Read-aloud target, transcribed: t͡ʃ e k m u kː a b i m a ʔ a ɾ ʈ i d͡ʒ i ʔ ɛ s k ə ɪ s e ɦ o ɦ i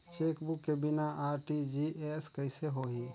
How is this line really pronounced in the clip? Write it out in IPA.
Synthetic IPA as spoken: t͡ʃ e k b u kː e b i n a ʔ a ɾ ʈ i d͡ʒ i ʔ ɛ s k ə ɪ s e ɦ o ɦ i